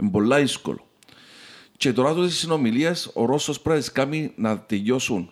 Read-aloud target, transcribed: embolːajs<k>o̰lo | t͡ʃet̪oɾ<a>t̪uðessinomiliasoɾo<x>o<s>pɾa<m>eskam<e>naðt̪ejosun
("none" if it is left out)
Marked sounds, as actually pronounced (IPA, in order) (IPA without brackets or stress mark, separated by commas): k, a, s, s, none, i